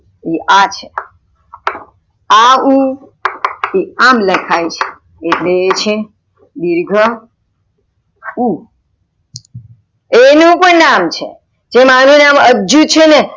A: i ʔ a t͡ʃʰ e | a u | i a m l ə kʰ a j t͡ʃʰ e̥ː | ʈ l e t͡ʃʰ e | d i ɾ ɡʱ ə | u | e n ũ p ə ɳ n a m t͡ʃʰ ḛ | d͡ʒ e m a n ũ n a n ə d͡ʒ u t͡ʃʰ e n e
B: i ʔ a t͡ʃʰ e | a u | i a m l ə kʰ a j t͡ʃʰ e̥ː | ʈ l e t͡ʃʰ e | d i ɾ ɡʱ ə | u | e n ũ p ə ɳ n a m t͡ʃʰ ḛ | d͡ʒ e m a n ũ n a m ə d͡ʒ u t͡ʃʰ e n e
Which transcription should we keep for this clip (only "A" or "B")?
B